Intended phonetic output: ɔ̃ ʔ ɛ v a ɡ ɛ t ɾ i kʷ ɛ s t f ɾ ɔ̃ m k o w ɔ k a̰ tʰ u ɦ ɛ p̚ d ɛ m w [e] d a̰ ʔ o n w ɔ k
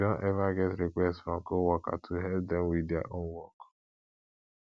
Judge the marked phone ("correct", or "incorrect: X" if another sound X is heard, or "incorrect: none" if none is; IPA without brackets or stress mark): incorrect: i